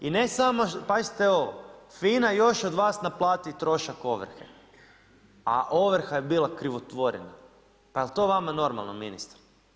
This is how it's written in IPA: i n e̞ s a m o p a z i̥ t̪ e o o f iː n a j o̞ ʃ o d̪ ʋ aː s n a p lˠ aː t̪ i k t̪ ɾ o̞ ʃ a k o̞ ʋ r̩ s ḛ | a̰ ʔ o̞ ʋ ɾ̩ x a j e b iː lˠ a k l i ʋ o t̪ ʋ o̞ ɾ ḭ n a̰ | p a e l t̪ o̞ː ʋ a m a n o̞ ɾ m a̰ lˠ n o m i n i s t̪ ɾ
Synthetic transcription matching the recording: i n e̞ s a m o p a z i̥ t̪ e o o f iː n a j o̞ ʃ o d̪ ʋ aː s n a p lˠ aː t̪ i t̪ ɾ o̞ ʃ a k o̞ ʋ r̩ x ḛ | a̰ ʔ o̞ ʋ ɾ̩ x a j e b iː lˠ a k ɾ i ʋ o t̪ ʋ o̞ ɾ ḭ n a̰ | p a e l t̪ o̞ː ʋ a m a n o̞ ɾ m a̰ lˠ n o m i n i s t̪ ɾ